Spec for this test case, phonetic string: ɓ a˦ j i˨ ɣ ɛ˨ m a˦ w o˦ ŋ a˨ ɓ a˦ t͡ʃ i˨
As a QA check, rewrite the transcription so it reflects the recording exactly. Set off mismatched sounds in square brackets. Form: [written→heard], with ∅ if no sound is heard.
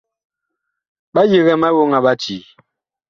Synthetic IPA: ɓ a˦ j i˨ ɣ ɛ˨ m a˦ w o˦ ŋ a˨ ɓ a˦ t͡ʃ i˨